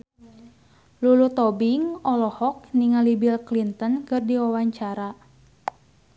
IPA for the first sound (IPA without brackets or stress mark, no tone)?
l